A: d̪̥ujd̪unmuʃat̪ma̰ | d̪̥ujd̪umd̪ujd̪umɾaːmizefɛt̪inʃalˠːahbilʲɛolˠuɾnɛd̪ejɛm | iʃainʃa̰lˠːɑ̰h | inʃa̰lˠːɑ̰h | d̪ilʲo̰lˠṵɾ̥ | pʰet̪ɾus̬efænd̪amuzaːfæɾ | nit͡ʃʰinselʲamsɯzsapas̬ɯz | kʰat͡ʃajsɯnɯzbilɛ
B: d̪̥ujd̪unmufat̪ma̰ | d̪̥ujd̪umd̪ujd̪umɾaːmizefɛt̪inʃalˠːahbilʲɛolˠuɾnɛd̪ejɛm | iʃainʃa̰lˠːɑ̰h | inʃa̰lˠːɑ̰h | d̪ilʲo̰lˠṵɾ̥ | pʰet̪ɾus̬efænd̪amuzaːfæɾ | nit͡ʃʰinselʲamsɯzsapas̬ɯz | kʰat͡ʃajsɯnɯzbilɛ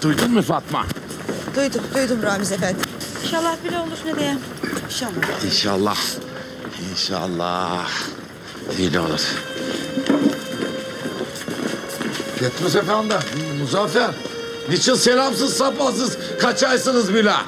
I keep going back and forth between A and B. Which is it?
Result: B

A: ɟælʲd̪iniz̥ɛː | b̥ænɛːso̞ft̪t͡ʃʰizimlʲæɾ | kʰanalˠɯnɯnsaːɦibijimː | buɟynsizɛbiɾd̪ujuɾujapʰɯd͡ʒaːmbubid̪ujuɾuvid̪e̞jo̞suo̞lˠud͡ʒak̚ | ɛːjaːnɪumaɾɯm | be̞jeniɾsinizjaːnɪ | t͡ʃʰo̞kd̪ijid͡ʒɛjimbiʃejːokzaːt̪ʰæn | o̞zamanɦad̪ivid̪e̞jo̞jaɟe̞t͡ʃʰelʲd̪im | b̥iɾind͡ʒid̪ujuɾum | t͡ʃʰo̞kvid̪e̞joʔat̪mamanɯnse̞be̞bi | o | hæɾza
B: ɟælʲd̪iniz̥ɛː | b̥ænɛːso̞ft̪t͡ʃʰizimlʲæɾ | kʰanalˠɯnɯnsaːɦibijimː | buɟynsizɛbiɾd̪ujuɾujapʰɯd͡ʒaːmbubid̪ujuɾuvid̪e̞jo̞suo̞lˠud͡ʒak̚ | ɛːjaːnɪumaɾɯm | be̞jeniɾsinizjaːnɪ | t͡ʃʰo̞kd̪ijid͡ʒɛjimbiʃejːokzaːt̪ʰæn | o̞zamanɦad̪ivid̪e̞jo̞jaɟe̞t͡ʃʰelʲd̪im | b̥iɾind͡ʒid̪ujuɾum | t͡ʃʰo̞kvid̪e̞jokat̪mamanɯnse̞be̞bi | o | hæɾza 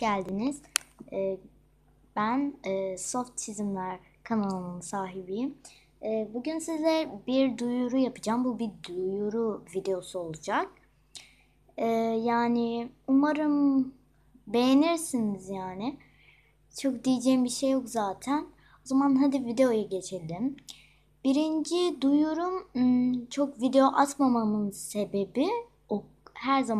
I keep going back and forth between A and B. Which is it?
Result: A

